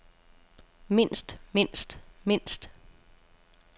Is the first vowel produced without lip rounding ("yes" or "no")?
yes